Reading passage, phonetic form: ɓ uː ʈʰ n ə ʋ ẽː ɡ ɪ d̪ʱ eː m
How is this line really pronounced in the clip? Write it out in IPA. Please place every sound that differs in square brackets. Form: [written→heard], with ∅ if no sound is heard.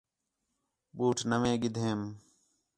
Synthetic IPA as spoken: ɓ uː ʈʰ n ə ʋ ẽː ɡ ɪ d̪ʱ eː m